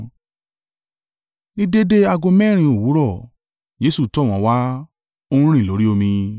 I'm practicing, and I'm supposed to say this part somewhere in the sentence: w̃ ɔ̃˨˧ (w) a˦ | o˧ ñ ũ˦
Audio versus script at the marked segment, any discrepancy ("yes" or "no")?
no